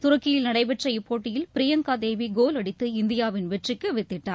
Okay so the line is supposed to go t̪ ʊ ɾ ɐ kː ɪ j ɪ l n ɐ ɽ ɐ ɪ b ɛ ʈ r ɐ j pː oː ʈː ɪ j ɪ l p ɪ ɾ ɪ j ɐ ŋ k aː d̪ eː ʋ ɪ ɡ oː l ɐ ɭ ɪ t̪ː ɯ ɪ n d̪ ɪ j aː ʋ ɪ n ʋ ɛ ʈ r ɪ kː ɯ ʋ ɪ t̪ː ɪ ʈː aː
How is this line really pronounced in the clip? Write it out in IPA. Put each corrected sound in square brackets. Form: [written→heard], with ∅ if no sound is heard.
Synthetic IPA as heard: t̪ ʊ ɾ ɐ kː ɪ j ɪ l n ɐ ɽ ɐ ɪ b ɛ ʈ r ɐ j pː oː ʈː ɪ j ɪ l p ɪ ɾ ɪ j ɐ ŋ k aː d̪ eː ʋ [ɪ→i] ɡ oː l ɐ [ɭ→ɽ] ɪ t̪ː ɯ ɪ n d̪ ɪ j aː ʋ ɪ n ʋ ɛ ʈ r ɪ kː ɯ ʋ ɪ t̪ː ɪ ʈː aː